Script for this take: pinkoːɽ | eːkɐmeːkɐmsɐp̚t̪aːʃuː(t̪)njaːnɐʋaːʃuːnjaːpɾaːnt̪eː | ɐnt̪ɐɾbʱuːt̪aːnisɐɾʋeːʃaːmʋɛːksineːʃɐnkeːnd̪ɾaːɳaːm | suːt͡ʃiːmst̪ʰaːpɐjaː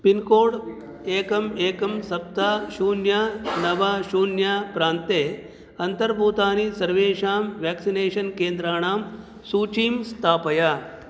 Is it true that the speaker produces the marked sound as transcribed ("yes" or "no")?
no